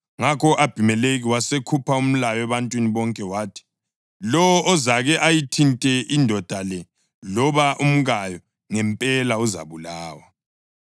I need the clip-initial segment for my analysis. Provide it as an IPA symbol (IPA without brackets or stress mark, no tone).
ŋ